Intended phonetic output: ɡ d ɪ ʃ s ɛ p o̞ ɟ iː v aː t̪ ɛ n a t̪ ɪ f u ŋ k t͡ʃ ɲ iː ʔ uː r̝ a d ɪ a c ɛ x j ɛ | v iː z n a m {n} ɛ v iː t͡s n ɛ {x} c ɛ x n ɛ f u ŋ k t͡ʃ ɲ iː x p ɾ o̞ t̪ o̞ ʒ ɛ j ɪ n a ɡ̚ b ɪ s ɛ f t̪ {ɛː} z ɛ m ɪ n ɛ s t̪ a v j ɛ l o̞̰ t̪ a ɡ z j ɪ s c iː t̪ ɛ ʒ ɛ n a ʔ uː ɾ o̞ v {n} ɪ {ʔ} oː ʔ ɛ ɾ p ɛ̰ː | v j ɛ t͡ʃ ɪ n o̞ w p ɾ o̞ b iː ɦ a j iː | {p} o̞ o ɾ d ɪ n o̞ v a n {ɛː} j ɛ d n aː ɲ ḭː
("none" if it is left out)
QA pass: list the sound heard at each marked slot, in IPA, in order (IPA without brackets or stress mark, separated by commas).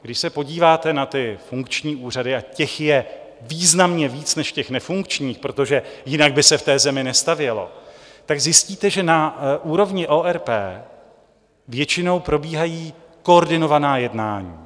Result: ɲ, ʃ, ɛː, ɲ, ʔ, k, aː